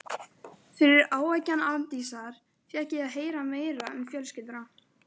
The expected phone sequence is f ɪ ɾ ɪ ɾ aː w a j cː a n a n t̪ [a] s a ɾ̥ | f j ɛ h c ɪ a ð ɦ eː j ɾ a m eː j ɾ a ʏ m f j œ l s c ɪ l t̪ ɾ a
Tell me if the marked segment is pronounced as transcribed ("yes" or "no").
no